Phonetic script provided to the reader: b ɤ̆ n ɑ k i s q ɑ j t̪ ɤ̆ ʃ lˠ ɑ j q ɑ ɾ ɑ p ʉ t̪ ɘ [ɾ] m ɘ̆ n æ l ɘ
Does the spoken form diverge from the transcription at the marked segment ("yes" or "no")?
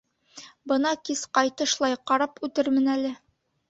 no